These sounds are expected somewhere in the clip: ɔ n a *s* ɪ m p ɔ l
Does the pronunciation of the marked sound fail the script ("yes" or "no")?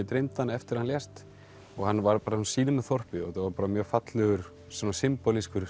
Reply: no